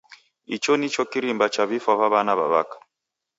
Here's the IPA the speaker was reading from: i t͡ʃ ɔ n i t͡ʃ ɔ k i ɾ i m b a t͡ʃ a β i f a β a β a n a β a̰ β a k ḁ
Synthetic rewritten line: i t͡ʃ ɔ n i t͡ʃ ɔ k i ɾ i m b a t͡ʃ a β i f a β a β a n a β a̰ β a k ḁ